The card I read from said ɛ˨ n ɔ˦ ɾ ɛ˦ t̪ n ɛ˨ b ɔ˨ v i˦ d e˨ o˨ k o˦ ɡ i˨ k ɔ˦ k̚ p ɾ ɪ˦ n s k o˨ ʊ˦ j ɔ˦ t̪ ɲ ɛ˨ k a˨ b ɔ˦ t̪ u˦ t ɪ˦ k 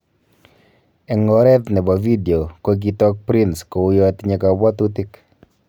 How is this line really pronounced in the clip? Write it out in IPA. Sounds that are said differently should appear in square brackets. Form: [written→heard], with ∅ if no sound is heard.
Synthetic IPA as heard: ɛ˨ [n→ŋ] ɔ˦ ɾ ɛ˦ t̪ n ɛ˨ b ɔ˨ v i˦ d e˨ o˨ k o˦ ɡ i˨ [k→t] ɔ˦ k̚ p ɾ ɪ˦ n s k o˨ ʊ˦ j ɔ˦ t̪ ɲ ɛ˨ k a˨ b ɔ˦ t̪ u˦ t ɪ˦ k